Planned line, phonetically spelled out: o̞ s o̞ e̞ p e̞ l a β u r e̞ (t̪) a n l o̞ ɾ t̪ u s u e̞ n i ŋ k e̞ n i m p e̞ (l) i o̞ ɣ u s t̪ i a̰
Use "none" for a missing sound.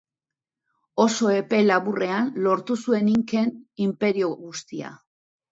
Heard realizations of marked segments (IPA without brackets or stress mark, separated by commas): none, ɾ